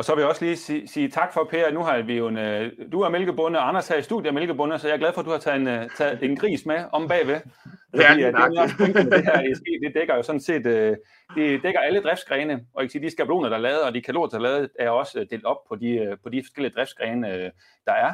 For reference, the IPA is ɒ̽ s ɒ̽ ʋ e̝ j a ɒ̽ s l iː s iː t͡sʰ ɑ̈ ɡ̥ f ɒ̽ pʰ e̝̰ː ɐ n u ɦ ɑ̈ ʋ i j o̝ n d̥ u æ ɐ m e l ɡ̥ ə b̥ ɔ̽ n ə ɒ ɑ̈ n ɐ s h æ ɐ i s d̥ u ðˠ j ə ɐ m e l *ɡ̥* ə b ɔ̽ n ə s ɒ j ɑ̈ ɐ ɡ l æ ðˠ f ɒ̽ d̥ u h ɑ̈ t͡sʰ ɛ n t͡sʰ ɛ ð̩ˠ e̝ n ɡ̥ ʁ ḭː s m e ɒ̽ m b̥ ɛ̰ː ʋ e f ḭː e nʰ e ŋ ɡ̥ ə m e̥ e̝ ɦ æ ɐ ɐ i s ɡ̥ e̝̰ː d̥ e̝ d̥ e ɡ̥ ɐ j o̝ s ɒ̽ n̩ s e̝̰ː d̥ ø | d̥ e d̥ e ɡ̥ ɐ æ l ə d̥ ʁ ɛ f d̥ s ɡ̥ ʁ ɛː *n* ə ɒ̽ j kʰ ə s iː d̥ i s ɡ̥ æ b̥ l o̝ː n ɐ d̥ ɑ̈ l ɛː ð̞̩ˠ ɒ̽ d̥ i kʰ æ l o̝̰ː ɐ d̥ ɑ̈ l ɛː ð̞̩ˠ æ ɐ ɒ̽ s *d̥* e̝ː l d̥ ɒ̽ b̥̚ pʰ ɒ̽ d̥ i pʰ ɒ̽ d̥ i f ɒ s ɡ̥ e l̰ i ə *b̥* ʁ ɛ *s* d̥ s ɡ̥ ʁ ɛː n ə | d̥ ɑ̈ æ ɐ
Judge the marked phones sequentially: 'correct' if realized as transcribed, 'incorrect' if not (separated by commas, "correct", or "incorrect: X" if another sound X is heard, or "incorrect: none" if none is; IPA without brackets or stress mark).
correct, correct, correct, incorrect: d̥, incorrect: f